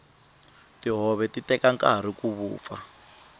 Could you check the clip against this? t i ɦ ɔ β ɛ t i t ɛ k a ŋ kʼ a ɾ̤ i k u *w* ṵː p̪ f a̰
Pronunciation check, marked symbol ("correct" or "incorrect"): incorrect